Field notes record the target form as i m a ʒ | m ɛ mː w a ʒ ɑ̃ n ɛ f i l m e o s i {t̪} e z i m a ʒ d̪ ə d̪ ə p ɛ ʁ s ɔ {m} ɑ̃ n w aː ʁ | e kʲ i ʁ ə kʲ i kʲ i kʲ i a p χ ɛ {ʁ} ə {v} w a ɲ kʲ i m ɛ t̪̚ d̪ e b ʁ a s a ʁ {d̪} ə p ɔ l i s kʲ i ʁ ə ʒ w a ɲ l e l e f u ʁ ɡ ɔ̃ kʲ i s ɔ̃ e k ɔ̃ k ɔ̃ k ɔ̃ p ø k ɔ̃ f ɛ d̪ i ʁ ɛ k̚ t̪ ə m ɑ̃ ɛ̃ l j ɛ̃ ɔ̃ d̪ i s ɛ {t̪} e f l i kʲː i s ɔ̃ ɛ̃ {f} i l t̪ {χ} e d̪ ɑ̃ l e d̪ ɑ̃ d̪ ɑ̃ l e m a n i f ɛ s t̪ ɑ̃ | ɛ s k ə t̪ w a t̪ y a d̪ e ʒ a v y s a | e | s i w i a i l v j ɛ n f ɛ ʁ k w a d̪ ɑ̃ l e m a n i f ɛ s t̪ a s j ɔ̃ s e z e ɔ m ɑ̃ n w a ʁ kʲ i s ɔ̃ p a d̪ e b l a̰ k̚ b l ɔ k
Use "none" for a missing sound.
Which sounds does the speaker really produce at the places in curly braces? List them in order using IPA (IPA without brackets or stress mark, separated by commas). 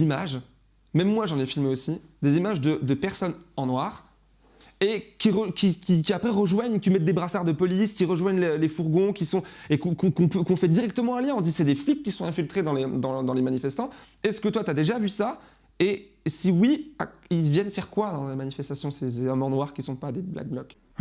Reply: d̪, n, ʁ, ʒ, d̪, d̪, f, χ